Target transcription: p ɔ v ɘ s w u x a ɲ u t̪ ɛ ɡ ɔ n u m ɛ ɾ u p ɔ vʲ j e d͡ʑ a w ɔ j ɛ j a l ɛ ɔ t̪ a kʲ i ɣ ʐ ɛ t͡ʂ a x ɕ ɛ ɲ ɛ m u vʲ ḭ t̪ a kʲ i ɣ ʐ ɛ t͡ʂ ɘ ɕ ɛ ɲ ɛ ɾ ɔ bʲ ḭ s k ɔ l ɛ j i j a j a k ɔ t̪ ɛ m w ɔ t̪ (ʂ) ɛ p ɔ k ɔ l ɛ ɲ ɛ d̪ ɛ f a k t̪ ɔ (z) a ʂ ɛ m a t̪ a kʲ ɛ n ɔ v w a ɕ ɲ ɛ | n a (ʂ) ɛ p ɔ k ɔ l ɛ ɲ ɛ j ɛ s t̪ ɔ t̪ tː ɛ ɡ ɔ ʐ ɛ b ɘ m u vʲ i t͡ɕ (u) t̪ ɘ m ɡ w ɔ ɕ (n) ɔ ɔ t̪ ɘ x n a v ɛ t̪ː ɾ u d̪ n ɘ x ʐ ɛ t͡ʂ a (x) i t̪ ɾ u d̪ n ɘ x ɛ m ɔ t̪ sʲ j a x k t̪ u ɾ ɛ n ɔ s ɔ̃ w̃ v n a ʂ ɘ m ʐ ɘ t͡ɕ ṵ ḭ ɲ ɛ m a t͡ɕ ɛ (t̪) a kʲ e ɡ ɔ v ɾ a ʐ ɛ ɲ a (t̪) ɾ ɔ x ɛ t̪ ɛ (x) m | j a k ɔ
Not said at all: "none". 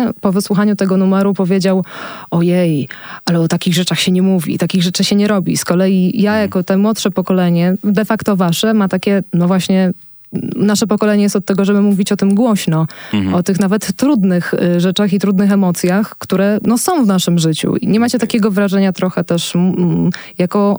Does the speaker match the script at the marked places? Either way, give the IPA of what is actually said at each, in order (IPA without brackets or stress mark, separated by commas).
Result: ʂ, v, ʂ, ɔ, n, x, t̪, t̪, ʂ